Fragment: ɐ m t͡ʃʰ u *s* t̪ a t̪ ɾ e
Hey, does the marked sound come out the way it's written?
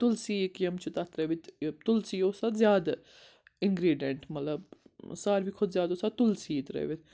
no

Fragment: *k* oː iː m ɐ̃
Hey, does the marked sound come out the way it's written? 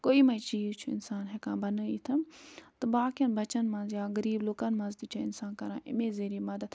yes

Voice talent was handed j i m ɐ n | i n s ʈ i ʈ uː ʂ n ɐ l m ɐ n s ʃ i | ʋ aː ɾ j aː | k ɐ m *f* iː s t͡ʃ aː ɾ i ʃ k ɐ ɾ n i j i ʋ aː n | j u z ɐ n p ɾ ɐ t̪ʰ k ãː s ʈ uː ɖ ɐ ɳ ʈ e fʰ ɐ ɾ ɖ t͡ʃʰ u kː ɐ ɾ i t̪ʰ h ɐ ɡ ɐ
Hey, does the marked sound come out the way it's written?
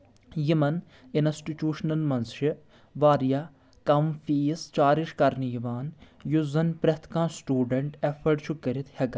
yes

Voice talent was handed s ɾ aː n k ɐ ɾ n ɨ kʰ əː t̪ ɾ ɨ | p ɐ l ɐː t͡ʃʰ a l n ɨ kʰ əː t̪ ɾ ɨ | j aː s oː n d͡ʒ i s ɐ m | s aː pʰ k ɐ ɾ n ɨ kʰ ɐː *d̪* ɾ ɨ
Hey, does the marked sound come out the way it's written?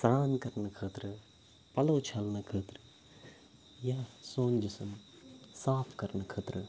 no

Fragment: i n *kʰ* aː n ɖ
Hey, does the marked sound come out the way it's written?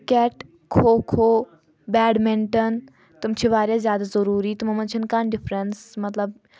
no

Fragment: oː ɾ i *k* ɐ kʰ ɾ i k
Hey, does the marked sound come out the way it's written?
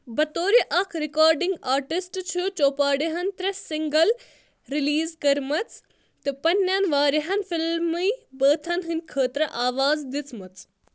no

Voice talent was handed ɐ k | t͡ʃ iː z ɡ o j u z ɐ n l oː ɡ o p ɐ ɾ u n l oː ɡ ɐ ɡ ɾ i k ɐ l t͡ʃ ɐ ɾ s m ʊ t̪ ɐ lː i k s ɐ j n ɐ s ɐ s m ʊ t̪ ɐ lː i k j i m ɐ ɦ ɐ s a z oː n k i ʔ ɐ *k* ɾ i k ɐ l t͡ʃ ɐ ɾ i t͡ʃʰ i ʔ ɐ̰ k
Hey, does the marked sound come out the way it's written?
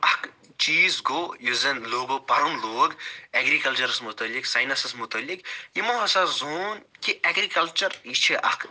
no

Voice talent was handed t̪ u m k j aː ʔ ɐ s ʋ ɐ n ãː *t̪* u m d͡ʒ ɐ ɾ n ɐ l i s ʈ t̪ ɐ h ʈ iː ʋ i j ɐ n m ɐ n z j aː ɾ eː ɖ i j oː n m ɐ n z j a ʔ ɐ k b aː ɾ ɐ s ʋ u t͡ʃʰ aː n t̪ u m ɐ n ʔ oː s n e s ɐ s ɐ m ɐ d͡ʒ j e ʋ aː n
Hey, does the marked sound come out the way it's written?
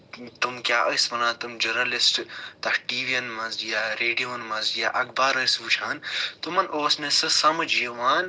yes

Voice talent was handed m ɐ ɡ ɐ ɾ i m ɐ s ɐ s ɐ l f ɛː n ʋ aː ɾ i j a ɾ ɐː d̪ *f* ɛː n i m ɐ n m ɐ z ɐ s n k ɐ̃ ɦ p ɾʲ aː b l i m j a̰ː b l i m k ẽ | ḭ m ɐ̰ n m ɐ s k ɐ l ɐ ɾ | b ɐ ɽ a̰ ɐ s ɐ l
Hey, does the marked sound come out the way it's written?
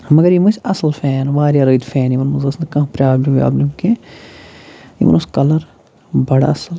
yes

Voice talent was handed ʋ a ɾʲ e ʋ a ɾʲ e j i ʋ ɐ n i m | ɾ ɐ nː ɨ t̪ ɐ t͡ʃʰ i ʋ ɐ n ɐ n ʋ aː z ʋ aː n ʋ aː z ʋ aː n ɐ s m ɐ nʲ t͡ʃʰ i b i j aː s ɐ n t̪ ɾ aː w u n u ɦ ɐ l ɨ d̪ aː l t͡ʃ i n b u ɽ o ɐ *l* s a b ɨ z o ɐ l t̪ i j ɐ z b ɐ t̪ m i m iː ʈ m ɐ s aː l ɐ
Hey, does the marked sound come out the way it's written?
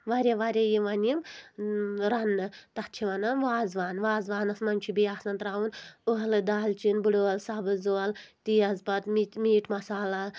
yes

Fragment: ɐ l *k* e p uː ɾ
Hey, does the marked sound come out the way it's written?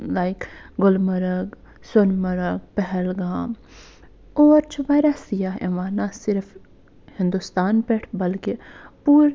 yes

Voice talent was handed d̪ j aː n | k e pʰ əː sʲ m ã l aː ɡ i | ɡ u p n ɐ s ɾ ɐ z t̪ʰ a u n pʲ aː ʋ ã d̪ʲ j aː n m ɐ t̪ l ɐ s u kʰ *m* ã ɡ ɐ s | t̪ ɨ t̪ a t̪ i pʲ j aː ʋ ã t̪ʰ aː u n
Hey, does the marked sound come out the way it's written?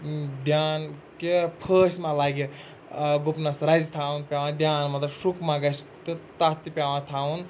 yes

